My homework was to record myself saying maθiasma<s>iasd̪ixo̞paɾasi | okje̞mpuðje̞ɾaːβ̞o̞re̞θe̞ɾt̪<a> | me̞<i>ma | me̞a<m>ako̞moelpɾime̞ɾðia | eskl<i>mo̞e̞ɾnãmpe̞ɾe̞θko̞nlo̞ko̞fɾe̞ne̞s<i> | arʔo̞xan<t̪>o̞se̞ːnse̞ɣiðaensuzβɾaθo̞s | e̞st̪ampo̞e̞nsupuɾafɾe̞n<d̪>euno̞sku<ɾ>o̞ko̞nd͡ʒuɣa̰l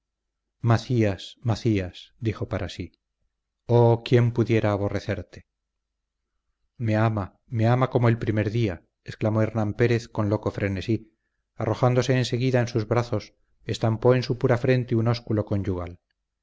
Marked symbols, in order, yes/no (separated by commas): no, no, no, yes, no, yes, no, no, no